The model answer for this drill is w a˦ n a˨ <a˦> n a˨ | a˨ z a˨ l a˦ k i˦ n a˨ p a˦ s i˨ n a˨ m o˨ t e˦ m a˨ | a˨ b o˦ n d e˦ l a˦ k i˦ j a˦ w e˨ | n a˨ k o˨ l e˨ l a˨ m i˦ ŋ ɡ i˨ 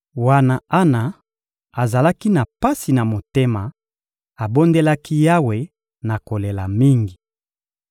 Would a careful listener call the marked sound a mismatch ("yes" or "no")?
no